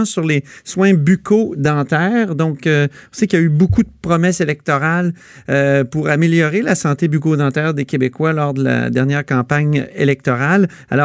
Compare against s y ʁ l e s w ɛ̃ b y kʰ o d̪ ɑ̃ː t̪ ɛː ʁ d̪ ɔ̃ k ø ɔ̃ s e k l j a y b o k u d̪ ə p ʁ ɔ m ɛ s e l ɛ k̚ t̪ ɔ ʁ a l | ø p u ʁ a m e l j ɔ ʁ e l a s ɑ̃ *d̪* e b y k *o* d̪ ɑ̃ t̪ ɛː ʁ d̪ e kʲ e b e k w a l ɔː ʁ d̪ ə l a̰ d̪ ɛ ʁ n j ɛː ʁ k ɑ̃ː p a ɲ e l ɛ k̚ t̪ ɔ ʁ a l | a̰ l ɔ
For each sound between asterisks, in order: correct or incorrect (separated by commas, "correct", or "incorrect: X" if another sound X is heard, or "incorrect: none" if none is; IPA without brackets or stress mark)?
incorrect: t̪, correct